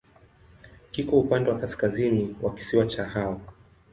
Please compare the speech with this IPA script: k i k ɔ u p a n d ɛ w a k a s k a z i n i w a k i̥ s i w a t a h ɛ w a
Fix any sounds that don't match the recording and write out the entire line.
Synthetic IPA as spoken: k i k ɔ u p a n d ɛ w a k a s k a z i n i w a k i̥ s i w a t͡ʃ a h a w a